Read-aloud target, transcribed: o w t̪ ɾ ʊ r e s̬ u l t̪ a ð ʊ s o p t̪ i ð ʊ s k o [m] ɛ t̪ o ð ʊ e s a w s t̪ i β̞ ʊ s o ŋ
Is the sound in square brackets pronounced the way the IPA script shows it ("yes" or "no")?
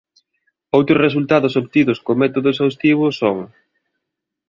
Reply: yes